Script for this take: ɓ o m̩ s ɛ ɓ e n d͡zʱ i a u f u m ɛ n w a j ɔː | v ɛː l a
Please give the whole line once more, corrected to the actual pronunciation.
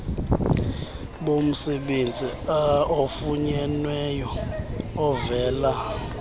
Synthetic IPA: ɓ o m̩ s ɛ ɓ e n d͡zʱ i a o f u ɲ ɛ n w ɛ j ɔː | v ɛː l a